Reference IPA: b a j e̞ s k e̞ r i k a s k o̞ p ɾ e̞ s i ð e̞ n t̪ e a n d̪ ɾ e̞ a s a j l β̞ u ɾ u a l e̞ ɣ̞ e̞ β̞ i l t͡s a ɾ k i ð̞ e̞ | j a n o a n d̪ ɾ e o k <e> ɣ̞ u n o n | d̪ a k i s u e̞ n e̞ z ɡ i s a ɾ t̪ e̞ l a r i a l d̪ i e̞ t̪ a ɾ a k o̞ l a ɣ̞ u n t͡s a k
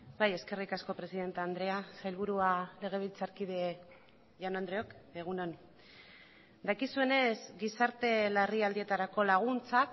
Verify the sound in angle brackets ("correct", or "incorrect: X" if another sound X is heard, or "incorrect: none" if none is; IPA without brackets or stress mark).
correct